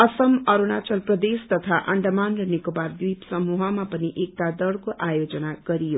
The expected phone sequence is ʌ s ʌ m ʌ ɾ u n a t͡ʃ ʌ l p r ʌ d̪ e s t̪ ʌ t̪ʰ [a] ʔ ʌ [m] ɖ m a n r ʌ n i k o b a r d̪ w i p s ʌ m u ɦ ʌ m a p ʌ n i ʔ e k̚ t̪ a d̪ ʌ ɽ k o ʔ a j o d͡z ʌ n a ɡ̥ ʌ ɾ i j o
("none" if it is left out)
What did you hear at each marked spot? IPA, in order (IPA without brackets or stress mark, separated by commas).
a, ɳ